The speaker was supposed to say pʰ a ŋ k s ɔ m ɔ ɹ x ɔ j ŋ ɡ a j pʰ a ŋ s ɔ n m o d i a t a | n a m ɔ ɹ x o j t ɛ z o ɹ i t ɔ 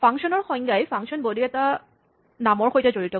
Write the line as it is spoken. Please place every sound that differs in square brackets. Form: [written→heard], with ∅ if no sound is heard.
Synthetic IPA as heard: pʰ a ŋ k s ɔ [m→n] ɔ ɹ x ɔ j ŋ ɡ a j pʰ a ŋ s ɔ n [m→b] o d i [a→ɛ] t a | n a m ɔ ɹ x o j t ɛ z o ɹ i t ɔ